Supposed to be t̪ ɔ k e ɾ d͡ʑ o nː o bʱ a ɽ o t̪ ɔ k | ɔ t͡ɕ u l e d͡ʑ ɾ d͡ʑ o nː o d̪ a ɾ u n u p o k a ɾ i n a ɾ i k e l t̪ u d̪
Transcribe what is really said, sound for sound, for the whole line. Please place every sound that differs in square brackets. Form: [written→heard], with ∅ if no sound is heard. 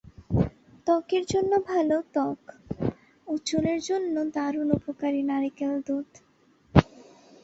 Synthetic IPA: t̪ ɔ k e ɾ d͡ʑ o nː o bʱ a [ɽ→l] o t̪ ɔ k | [ɔ→u] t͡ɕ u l e [d͡ʑ→∅] ɾ d͡ʑ o nː o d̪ a ɾ u n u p o k a ɾ i n a ɾ i k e l [t̪→d̪] u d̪